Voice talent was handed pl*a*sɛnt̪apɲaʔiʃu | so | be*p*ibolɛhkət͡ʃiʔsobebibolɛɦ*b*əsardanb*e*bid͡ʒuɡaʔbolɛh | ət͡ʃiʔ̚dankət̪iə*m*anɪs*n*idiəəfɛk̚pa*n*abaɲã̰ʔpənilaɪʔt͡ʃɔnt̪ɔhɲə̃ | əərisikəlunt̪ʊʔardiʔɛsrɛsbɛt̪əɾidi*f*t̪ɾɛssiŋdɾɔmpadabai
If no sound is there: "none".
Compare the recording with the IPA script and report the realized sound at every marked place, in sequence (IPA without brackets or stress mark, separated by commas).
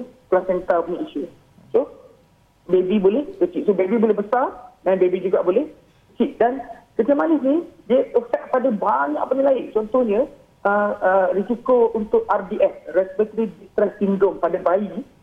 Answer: a, b, b, e, m, n, d, s